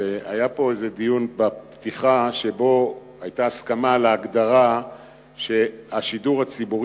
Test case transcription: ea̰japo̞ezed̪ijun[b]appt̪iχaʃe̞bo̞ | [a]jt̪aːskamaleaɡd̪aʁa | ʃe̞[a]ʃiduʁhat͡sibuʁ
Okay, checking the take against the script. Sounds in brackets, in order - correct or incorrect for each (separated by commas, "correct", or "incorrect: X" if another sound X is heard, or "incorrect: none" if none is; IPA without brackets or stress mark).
correct, correct, correct